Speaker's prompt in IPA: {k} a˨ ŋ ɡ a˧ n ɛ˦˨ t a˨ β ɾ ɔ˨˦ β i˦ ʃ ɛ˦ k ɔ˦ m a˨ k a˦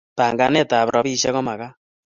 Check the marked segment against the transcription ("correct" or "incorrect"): incorrect